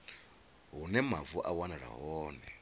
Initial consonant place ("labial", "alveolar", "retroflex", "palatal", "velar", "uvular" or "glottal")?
glottal